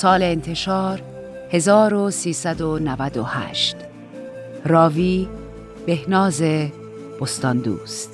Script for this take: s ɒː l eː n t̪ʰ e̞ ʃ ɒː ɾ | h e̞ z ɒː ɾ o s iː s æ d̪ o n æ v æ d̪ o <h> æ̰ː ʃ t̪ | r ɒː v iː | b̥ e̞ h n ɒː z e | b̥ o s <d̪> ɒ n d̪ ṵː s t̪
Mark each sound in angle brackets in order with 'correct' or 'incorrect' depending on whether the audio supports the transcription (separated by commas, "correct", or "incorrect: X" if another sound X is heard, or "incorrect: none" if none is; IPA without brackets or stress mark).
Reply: correct, incorrect: t̪